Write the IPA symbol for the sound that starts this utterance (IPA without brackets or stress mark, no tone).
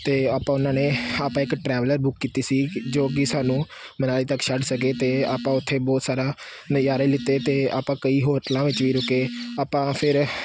t̪